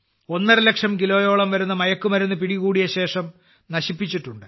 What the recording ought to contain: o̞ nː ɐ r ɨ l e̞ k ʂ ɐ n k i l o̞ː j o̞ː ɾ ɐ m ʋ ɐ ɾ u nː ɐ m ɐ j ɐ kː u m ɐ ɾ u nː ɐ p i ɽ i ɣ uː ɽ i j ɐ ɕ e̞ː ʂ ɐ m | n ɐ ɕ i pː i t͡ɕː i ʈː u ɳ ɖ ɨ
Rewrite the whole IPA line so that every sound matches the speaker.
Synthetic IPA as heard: o̞ nː ɐ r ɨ l e̞ k ʂ ɐ m k i l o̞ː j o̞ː ɭ ɐ m ʋ ɐ ɾ u nː ɐ m ɐ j ɐ kː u m ɐ ɾ u nː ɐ p i ɽ i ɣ uː ɽ i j ɐ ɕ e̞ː ʂ ɐ m | n ɐ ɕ i pː i t͡ɕː i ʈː u ɳ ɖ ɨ